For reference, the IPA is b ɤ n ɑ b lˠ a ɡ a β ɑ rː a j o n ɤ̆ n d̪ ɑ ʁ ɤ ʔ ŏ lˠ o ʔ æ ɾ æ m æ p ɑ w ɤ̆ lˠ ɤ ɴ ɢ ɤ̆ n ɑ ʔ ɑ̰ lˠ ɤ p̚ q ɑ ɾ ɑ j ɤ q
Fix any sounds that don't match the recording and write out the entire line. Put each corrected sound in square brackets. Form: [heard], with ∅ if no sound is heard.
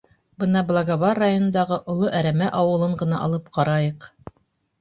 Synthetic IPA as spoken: b ɤ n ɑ b lˠ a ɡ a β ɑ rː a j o n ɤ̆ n d̪ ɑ ʁ ɤ ʔ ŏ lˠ o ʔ æ ɾ æ m æ [ʔ] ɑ w ɤ̆ lˠ ɤ ɴ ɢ ɤ̆ n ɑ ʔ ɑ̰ lˠ ɤ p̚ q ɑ ɾ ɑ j ɤ q